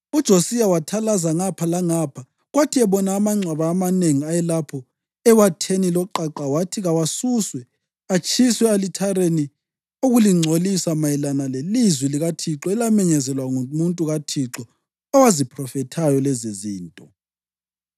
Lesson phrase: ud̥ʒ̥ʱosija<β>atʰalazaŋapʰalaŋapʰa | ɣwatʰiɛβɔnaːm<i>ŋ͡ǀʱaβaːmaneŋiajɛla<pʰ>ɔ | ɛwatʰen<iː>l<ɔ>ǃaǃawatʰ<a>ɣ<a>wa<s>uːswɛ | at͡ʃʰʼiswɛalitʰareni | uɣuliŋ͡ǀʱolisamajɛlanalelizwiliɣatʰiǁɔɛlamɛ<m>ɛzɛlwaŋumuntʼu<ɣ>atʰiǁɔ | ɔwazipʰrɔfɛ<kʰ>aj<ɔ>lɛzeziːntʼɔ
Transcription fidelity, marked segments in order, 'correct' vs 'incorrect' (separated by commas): incorrect, incorrect, correct, incorrect, correct, incorrect, correct, correct, incorrect, correct, incorrect, correct